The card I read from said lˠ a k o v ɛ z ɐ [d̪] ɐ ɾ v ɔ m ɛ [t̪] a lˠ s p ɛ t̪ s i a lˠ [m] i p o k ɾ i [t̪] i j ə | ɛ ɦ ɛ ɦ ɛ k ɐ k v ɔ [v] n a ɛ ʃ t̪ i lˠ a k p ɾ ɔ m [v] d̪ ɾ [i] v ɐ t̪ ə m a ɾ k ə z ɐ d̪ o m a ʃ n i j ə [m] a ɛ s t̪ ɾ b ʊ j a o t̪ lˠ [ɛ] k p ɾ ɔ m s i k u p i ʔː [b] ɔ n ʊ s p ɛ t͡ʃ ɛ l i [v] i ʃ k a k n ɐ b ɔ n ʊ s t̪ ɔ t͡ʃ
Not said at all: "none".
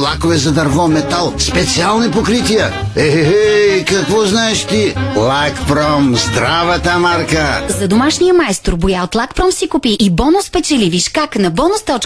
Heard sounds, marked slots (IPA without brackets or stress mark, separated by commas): d̪, t̪, n, t̪, z, z, a, m, a, b, v